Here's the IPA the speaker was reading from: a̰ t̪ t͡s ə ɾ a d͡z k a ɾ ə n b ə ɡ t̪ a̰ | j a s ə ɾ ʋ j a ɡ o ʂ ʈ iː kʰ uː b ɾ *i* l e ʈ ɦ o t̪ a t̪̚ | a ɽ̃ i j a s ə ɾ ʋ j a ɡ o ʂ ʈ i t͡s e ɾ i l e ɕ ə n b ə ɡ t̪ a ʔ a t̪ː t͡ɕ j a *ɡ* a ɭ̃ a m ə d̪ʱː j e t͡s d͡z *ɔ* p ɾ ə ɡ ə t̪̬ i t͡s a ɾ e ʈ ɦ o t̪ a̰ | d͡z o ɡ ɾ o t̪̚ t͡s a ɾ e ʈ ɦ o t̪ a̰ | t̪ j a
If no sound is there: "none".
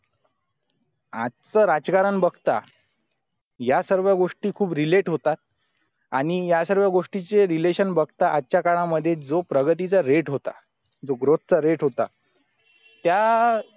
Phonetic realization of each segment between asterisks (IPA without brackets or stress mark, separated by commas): i, k, o